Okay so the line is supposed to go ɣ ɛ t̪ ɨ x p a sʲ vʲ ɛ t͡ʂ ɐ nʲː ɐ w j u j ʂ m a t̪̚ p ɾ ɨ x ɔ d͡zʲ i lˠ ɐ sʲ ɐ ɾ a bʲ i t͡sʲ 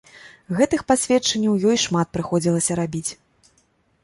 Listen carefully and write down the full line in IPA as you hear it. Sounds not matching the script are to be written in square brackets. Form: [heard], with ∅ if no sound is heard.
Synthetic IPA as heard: ɣ ɛ t̪ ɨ x p a sʲ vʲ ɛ t͡ʂ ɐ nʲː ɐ w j [ɔ] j ʂ m a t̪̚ p ɾ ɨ x ɔ d͡zʲ i lˠ ɐ sʲ ɐ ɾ a bʲ i t͡sʲ